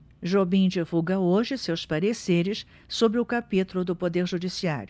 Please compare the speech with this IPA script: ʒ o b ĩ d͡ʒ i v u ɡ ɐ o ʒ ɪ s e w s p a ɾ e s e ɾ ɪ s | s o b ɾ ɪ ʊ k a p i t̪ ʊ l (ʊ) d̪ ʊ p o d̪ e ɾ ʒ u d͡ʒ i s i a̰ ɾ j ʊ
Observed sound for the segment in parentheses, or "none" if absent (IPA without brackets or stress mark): ʊ